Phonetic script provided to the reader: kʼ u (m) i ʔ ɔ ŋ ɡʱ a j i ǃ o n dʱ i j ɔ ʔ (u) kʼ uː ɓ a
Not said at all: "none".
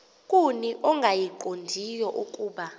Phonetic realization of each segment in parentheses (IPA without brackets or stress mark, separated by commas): n, u